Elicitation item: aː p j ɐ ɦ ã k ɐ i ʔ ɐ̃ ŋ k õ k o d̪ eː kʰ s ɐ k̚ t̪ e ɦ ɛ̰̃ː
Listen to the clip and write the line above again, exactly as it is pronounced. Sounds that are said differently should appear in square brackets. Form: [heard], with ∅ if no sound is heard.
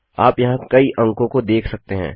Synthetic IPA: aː p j ɐ ɦ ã k ɐ i ʔ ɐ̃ ŋ k õ k o d̪ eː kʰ s ɐ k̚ t̪ e ɦ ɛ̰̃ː